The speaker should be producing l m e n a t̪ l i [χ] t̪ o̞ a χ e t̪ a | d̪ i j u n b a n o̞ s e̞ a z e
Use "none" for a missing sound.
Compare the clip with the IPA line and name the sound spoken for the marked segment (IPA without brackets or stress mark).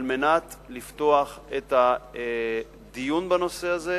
f